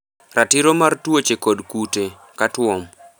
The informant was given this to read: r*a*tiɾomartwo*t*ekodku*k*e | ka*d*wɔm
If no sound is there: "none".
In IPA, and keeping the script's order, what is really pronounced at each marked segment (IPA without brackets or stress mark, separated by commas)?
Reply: a, t͡ʃ, t, t